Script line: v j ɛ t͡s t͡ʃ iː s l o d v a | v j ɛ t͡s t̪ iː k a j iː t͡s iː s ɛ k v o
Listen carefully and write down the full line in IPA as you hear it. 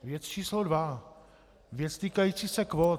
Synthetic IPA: v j ɛ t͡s t͡ʃ iː s l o d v a | v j ɛ t͡s t̪ iː k a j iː t͡s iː s ɛ k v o